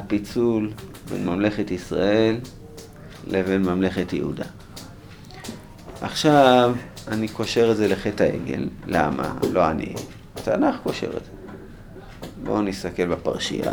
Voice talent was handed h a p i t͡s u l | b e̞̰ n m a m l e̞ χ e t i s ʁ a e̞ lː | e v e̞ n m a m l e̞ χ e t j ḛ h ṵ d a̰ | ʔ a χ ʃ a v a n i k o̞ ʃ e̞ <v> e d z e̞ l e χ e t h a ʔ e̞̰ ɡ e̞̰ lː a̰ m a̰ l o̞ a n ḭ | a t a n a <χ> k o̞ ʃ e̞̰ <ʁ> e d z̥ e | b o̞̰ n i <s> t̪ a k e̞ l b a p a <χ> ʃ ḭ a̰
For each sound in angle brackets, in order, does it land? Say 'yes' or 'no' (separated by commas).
no, yes, yes, yes, no